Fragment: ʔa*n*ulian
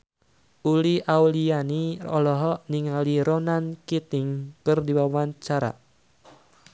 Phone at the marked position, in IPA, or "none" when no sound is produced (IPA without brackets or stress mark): none